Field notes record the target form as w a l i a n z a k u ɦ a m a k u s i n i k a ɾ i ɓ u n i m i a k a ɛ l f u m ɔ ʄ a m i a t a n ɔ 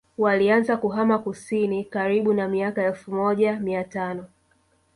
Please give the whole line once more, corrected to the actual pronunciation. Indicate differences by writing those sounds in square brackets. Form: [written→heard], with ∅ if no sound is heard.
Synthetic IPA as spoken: w a l i a n z a k u ɦ a m a k u s i n i k a ɾ i ɓ u n [i→a] m i a k a ɛ l f u m ɔ ʄ a m i a t a n ɔ